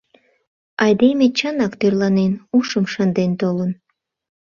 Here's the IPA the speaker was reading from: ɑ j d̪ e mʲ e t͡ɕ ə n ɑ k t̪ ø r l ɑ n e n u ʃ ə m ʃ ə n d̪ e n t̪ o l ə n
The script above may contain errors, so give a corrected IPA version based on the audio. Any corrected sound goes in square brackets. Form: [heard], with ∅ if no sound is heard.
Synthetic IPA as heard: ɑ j d̪ e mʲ e t͡ɕ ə n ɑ k t̪ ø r l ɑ n e n u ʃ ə m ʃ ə n d̪ e n t̪ o l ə n